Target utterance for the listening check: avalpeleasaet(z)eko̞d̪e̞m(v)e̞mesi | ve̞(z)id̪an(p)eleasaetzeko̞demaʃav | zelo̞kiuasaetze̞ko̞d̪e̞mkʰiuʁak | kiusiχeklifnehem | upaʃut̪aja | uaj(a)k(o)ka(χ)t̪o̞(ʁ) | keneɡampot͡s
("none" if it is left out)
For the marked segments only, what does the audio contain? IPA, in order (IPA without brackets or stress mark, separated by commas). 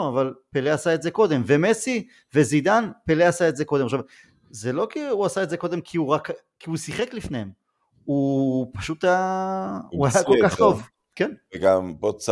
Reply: z, v, z, p, a, o, χ, v